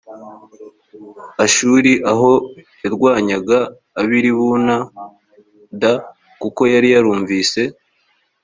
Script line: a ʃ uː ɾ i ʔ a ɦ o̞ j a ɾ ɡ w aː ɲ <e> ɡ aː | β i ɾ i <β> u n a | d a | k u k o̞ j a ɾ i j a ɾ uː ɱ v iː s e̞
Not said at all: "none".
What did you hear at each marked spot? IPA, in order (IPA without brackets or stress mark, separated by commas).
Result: a, β